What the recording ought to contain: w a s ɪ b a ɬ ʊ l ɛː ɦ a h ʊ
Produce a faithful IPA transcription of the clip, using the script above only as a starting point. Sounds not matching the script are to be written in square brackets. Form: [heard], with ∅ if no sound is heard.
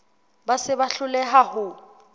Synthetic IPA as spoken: [b] a s ɪ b a ɬ ʊ l [ɛ] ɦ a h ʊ